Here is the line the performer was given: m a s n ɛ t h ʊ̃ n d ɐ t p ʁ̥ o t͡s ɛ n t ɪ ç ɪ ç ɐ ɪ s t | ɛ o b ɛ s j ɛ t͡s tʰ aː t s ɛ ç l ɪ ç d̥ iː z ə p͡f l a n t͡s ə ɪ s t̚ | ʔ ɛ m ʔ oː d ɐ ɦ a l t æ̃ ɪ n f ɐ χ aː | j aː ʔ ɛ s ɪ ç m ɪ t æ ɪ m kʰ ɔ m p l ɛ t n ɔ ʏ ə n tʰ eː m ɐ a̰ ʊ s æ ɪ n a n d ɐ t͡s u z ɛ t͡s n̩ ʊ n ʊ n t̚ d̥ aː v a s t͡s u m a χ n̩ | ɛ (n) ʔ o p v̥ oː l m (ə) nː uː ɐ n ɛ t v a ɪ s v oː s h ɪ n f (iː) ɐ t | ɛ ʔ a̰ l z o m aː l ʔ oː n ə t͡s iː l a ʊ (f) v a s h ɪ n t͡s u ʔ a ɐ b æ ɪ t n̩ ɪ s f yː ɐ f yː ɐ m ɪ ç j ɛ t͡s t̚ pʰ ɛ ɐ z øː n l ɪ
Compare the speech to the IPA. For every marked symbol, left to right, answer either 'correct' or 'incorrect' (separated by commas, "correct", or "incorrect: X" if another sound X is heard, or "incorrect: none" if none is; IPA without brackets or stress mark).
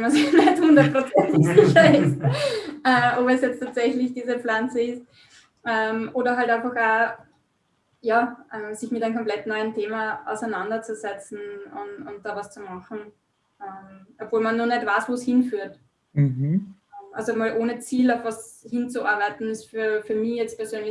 incorrect: m, incorrect: a, incorrect: yː, correct